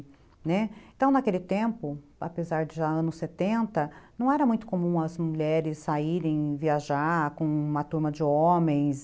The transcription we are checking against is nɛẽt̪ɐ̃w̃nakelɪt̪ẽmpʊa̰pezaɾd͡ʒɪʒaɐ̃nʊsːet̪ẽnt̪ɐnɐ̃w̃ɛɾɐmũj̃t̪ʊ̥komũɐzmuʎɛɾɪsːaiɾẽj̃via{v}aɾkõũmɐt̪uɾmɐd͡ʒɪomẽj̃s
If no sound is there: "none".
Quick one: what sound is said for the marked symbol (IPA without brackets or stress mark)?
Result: ʒ